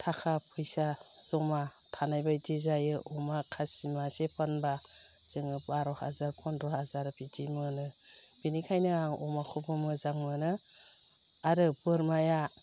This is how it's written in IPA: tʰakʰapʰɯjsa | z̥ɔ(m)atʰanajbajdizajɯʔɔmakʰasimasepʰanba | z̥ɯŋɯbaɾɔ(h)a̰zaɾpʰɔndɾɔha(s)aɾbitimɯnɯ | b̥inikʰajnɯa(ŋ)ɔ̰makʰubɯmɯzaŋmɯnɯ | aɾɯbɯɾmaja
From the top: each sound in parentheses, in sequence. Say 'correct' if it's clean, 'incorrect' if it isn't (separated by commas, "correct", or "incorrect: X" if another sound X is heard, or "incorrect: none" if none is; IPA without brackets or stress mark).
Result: correct, correct, incorrect: z, correct